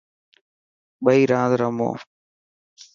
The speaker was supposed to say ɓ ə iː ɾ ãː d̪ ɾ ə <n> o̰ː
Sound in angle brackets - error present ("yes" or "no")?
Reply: yes